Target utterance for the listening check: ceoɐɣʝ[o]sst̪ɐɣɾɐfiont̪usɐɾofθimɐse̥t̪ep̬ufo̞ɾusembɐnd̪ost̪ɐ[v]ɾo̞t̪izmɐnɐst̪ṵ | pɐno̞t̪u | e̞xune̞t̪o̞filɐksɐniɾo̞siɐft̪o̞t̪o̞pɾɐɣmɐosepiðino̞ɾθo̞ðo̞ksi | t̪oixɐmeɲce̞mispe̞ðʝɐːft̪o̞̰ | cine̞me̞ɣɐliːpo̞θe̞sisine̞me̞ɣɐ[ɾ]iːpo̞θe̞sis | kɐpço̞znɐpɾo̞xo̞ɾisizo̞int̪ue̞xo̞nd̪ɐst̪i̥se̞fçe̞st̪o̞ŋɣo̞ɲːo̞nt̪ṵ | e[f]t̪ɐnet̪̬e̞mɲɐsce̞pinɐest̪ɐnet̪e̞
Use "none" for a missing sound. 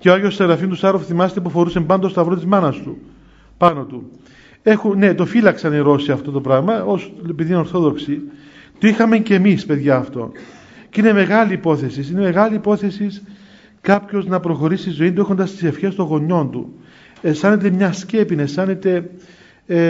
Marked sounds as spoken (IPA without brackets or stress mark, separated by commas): o, v, l, s